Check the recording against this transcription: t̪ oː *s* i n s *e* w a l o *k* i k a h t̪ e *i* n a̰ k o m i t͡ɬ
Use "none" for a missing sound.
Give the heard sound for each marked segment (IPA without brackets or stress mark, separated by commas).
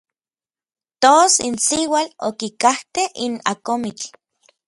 s, i, k, i